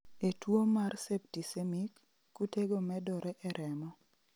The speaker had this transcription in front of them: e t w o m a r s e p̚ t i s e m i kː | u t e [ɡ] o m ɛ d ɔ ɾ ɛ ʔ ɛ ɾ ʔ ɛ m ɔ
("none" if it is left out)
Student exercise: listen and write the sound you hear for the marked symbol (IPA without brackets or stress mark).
ɡ